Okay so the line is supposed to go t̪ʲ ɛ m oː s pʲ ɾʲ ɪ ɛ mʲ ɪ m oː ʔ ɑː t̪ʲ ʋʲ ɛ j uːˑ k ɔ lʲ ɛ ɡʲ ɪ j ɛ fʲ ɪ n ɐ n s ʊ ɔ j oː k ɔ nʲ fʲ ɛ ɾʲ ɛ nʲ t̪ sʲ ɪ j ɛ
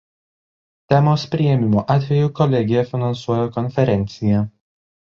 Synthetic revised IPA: t̪ʲ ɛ m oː s pʲ ɾʲ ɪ ɛ mʲ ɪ m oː ʔ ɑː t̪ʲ ʋʲ ɛ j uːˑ k ɔ lʲ ɛ ɡʲ ɪ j ɛ fʲ ɪ n ɐ n s u ɔ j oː k ɔ nʲ fʲ ɛ ɾʲ ɛ nʲ t̪ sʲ ɪ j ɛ